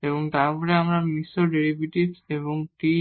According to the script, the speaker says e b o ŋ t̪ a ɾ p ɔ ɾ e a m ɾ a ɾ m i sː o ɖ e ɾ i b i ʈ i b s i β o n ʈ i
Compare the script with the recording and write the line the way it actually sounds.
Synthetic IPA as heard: e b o ŋ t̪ a ɾ p ɔ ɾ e a m ɾ a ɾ m i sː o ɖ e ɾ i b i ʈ i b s e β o ŋ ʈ i